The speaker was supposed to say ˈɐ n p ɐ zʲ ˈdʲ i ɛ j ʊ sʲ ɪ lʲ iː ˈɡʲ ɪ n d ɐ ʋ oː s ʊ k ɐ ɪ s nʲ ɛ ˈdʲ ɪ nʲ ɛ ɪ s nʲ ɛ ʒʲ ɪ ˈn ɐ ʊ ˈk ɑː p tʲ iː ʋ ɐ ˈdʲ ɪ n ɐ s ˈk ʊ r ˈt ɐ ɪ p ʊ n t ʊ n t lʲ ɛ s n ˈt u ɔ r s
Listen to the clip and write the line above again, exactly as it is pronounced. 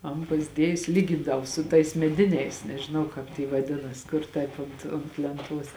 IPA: ˈɐ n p ɐ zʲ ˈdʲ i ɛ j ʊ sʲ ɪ lʲ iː ˈɡʲ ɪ n d ɐ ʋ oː s ʊ t ɐ ɪ s mʲ ɛ ˈdʲ ɪ nʲ ɛ ɪ s nʲ ɛ ʒʲ ɪ ˈn ɐ ʊ ˈk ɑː p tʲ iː ʋ ɐ ˈdʲ ɪ n ɐ s ˈk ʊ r ˈt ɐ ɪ p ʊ n t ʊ n t lʲ ɛ n ˈt u ɔ s